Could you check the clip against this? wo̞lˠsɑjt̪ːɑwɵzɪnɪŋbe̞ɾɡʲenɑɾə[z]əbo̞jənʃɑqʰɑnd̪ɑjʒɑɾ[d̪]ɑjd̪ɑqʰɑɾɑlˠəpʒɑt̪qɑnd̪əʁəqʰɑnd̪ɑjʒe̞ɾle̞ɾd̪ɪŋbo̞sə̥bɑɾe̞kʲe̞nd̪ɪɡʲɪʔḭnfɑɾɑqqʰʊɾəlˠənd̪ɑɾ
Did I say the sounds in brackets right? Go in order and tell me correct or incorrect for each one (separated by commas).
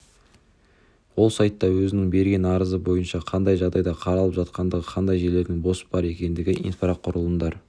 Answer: correct, correct